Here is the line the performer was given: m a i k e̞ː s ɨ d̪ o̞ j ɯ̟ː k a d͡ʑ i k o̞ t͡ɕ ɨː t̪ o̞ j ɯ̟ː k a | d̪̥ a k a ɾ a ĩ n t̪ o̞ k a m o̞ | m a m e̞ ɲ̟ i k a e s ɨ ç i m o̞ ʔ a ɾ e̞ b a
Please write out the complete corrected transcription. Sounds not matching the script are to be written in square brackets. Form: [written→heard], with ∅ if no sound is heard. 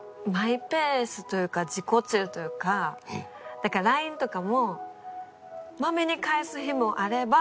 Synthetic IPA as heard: m a i [k→p] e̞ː s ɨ [d̪→t̪] o̞ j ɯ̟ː k a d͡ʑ i k o̞ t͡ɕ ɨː t̪ o̞ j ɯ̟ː k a | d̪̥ a k a ɾ a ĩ n t̪ o̞ k a m o̞ | m a m e̞ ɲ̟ i k a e s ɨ ç i m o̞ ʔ a ɾ e̞ b a